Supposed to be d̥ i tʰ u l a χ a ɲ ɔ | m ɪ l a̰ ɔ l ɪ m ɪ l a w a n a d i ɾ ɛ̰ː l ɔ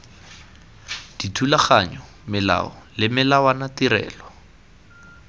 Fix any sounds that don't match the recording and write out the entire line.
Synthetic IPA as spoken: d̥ i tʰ u l a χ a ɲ ɔ | m ɪ l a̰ ɔ l ɪ m ɪ l a w a n a t i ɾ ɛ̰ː l ɔ